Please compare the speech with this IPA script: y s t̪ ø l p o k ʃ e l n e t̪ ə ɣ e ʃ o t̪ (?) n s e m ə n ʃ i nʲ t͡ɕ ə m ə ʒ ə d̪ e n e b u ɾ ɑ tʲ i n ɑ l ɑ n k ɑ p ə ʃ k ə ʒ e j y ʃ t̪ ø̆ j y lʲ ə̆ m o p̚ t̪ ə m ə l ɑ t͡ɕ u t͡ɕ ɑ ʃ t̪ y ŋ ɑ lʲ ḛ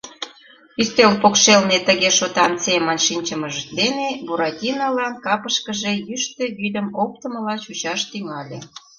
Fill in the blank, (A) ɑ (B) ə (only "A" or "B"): A